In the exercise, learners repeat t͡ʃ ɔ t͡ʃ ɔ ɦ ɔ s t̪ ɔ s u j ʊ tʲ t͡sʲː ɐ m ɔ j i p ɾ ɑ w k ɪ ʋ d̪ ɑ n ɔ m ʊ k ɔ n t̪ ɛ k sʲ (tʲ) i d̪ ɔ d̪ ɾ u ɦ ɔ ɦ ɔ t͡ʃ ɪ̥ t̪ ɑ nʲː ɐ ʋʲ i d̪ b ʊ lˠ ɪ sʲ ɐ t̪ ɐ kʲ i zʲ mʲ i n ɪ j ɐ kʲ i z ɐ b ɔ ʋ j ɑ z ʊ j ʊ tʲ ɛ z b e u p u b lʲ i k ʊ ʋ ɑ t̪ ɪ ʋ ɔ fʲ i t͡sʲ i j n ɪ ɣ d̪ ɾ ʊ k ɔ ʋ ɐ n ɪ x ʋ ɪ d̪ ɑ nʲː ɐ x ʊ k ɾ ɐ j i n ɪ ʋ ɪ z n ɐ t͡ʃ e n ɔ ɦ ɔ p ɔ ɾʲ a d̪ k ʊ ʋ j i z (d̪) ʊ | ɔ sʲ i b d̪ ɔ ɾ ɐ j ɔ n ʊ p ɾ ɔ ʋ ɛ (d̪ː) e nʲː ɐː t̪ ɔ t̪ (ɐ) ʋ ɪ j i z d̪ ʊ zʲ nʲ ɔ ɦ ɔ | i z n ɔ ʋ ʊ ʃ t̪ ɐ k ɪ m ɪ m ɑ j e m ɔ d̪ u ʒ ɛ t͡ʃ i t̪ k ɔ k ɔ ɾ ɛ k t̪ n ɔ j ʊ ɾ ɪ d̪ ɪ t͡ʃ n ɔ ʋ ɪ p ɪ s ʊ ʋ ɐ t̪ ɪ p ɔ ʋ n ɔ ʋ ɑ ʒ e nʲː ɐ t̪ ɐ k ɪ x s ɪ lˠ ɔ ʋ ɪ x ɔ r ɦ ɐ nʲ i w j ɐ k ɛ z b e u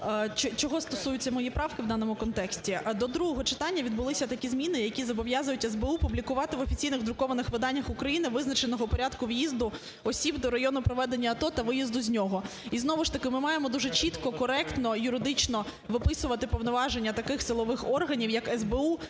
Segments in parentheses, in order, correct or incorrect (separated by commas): correct, correct, incorrect, correct